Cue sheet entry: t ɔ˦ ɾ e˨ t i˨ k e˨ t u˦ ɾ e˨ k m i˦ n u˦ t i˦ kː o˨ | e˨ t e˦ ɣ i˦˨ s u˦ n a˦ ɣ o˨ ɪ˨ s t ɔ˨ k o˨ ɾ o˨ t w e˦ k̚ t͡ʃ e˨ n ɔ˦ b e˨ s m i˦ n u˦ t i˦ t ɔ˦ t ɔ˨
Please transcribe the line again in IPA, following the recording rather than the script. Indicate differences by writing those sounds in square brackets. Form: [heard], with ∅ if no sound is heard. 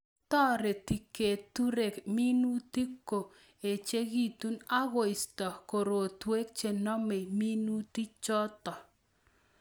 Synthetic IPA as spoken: t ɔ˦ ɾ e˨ t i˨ k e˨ t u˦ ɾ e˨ k m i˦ n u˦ t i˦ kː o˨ | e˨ [t͡ʃ] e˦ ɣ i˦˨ [t] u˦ n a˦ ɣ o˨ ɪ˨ s t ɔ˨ k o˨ ɾ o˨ t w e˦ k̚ t͡ʃ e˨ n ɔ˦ [m] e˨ [∅] m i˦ n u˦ t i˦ [t͡ʃ] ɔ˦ t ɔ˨